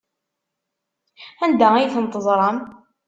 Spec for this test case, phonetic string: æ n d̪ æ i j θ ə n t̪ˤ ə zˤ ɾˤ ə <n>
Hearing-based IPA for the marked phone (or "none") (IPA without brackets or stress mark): m